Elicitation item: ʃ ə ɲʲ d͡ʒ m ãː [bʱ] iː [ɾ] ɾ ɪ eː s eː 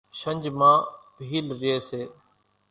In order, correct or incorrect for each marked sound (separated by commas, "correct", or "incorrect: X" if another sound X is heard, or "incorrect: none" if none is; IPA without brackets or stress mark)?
correct, incorrect: l